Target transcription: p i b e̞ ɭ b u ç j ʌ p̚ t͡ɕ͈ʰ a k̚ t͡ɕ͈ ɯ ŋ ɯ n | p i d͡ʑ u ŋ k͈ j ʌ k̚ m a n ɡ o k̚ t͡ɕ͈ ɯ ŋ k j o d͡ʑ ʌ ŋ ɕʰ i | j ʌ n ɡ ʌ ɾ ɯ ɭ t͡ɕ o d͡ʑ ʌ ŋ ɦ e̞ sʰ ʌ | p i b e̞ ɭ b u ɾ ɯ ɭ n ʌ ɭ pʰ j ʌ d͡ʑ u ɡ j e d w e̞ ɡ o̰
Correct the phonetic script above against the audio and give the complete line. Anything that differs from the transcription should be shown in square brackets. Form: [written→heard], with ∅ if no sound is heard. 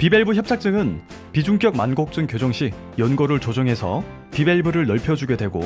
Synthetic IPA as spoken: p i b e̞ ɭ b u ç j ʌ p̚ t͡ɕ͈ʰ a k̚ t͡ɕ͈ ɯ ŋ ɯ n | p i d͡ʑ u ŋ k͈ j ʌ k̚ m a n ɡ o k̚ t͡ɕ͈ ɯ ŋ k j o d͡ʑ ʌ ŋ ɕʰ i | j ʌ n ɡ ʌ ɾ ɯ ɭ t͡ɕ o d͡ʑ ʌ ŋ ɦ e̞ sʰ ʌ | p i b e̞ ɭ b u ɾ ɯ ɭ n ʌ ɭ pʰ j ʌ d͡ʑ u ɡ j e d w e̞ ɡ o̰